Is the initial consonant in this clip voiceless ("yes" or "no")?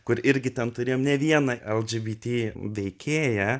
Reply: yes